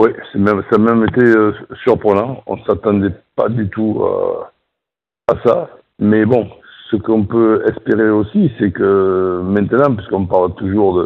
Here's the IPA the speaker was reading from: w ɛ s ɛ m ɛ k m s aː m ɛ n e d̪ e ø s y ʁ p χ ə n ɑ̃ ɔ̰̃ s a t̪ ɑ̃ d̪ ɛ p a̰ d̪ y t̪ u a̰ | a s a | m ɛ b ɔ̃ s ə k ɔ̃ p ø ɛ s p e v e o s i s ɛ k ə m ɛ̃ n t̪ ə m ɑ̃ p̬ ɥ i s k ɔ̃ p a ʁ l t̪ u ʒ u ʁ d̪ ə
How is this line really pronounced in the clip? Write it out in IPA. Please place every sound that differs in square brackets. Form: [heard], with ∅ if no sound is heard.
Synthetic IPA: w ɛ s ɛ m ɛ [∅] m s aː m ɛ [m] e [t̪] e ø s y ʁ p χ ə n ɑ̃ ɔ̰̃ s a t̪ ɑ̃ d̪ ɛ p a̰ d̪ y t̪ u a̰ | a s a | m ɛ b ɔ̃ s ə k ɔ̃ p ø ɛ s p e [ʁ] e o s i s ɛ k ə m ɛ̃ n t̪ ə [n] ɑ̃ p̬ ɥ i s k ɔ̃ p a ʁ l t̪ u ʒ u ʁ d̪ ə